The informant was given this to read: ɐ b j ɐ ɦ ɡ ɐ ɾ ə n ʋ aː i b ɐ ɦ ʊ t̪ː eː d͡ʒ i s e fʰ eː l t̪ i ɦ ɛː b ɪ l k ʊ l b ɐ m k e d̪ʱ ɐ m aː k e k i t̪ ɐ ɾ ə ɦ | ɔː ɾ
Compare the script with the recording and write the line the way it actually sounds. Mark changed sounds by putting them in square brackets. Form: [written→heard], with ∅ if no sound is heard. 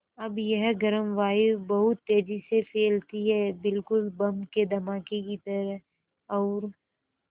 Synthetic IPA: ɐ b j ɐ ɦ ɡ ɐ ɾ ə [n→m] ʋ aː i b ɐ ɦ ʊ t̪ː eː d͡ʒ i s e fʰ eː l t̪ i ɦ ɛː b ɪ l k ʊ l b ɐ m k e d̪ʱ ɐ m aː k e k i t̪ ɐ ɾ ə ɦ | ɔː ɾ